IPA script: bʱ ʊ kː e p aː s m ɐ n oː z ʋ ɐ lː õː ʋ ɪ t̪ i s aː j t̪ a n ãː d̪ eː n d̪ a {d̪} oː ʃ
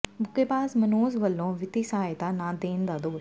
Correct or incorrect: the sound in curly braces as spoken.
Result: correct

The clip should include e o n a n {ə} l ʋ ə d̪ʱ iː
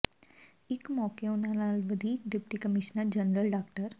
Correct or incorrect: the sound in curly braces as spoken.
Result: incorrect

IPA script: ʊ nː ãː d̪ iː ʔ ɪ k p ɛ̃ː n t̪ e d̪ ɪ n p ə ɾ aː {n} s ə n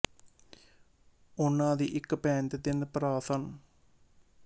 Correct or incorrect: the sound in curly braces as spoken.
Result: incorrect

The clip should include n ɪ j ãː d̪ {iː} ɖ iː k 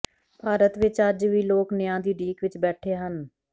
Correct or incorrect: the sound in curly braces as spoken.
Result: correct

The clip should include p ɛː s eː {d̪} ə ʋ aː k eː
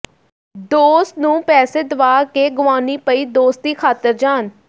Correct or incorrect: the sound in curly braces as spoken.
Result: correct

